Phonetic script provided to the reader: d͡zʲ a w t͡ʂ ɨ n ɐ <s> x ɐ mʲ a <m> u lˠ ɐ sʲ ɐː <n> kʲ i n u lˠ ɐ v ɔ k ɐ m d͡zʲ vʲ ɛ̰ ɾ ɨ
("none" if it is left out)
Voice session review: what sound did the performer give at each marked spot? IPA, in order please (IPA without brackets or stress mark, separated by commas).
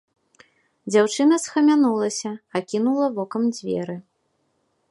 s, n, none